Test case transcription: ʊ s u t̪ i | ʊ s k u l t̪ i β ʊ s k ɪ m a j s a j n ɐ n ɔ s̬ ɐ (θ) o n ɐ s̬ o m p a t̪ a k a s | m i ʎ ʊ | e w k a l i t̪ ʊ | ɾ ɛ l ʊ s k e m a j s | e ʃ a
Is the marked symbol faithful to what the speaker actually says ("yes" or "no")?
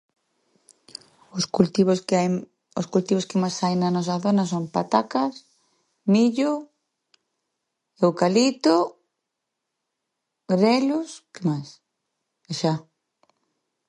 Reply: yes